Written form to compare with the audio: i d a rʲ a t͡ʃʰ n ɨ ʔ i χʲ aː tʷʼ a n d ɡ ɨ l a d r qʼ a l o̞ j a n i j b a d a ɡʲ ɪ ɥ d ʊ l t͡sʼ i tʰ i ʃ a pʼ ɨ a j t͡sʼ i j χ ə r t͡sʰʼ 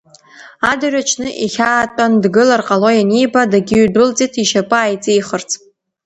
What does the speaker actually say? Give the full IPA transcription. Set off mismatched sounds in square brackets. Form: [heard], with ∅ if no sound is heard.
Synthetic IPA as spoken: [a] d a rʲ a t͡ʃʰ n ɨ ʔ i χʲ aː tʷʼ a n d ɡ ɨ l a [∅] r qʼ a l o̞ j a n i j b a d a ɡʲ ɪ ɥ d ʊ l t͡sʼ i tʰ i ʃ a pʼ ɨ a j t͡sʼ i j χ ə r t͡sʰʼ